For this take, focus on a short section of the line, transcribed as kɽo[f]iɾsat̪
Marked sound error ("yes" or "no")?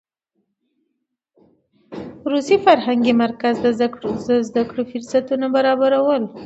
no